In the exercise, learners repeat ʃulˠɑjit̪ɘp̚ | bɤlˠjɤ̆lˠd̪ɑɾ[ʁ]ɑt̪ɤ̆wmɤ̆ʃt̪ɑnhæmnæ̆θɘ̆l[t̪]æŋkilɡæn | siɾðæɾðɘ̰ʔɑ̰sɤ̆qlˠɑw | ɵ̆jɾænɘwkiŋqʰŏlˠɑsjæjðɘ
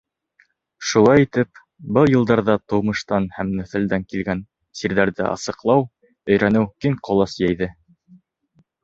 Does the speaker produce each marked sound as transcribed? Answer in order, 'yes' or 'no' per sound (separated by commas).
no, no